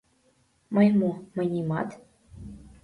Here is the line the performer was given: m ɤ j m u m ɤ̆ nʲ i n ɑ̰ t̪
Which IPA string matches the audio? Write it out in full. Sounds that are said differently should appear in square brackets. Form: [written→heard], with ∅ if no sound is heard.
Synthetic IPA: m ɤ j m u m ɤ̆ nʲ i [n→m] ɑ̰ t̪